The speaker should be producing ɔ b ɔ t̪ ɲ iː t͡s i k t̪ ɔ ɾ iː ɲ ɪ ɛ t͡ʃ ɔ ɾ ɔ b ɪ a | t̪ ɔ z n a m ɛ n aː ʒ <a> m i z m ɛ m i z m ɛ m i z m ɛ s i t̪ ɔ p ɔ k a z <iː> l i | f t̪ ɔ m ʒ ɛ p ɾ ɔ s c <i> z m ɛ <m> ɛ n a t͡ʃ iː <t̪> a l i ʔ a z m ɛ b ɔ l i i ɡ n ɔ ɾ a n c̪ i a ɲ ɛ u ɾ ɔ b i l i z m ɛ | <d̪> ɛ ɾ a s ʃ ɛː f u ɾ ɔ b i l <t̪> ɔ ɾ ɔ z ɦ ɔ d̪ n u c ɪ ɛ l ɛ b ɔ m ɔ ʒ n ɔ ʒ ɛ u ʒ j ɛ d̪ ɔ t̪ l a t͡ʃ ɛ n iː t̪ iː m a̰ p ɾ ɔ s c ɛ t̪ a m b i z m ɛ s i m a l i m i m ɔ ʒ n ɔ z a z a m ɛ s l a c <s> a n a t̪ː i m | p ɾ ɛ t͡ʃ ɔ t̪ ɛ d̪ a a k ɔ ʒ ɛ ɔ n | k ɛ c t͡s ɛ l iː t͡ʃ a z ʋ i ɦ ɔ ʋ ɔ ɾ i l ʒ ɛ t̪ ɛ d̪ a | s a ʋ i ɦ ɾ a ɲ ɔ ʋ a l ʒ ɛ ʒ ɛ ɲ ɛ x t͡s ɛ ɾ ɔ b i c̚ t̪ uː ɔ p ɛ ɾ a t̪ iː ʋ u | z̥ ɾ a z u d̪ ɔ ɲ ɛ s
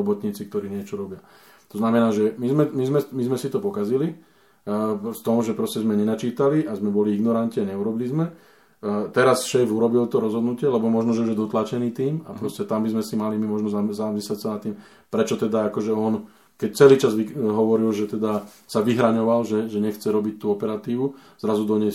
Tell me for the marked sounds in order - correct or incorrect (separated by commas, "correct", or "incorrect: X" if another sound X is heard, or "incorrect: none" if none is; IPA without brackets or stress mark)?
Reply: incorrect: ɛ, incorrect: i, incorrect: ɛ, incorrect: ɲ, correct, incorrect: t̪, correct, correct